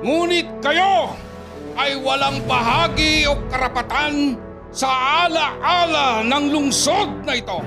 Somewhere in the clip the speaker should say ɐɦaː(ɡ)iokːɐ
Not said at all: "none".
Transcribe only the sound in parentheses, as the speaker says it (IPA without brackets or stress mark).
ɡ